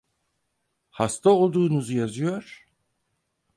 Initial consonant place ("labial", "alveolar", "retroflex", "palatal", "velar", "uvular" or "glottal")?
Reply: glottal